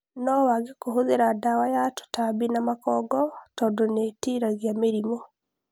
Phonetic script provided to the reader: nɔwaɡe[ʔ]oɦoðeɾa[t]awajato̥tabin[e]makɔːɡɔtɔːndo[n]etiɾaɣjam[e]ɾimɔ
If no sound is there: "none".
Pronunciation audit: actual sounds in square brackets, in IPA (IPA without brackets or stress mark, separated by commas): k, d, a, n, e